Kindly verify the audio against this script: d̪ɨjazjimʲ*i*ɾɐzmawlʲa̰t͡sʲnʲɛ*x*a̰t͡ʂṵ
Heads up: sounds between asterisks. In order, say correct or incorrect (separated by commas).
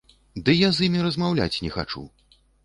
correct, correct